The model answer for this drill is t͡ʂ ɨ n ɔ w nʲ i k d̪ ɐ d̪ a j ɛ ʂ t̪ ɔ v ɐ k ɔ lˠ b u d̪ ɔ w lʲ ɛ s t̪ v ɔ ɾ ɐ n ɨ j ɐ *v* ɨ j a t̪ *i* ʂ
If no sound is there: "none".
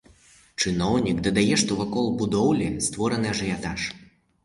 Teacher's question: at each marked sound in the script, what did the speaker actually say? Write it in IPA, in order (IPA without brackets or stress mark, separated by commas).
ʐ, a